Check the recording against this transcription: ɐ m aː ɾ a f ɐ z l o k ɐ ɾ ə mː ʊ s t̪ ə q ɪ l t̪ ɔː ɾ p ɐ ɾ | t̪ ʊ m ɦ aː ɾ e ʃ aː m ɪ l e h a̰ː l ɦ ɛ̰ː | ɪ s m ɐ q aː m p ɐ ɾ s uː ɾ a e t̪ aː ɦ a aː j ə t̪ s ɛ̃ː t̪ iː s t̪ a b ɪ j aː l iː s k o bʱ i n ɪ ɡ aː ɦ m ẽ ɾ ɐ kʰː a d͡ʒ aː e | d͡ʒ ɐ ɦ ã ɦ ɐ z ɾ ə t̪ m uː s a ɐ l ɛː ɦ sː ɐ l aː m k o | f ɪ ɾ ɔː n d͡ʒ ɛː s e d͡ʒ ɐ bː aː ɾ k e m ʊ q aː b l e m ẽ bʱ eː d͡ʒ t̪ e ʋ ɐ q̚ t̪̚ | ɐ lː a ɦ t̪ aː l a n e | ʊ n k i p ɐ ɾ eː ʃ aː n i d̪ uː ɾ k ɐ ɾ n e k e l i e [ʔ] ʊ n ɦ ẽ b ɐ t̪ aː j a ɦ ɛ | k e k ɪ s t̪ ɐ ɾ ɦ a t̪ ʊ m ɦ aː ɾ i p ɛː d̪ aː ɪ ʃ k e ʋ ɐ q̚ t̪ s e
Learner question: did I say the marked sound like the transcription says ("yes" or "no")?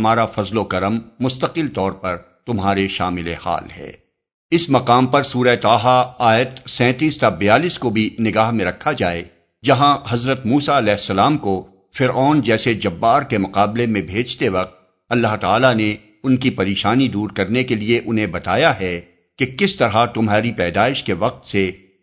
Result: yes